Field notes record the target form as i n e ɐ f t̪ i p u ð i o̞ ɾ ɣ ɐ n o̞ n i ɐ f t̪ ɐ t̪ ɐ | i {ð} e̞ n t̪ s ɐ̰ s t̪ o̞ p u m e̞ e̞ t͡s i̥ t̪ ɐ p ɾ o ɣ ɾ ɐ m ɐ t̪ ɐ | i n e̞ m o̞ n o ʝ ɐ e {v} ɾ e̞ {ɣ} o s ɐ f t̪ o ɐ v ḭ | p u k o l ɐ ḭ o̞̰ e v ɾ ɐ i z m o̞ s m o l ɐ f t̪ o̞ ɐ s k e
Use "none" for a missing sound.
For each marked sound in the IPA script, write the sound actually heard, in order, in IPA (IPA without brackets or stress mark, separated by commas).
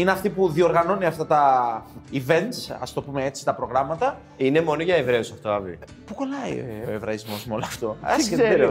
v, v, none